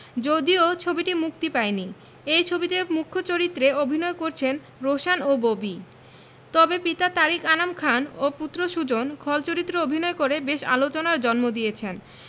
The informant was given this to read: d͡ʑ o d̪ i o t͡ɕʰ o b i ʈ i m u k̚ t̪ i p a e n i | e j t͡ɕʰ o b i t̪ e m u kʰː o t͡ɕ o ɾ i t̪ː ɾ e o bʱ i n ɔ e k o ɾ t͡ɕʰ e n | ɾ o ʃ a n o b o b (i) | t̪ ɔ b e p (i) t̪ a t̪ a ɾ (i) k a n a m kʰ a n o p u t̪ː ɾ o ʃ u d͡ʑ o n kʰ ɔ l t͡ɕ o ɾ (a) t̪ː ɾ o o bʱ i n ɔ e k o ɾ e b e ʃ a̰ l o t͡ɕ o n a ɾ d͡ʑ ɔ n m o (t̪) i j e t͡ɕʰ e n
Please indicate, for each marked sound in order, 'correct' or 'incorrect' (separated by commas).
correct, correct, correct, incorrect, incorrect